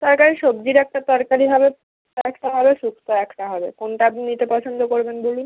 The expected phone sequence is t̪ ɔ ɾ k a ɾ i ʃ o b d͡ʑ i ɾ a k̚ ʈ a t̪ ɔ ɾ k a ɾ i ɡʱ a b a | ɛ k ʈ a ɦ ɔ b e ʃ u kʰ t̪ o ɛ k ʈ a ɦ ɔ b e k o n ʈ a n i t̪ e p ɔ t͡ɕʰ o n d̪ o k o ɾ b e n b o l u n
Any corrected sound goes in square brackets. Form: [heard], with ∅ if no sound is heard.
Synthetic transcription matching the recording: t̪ ɔ ɾ k a ɾ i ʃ o b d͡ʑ i ɾ [ɛ] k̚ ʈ a t̪ ɔ ɾ k a ɾ i [bʱ] a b [e] | ɛ k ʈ a ɦ ɔ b e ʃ u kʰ t̪ o ɛ k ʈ a ɦ ɔ b e k o n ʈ a n i t̪ e p ɔ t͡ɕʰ o n d̪ o k o ɾ b e n b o l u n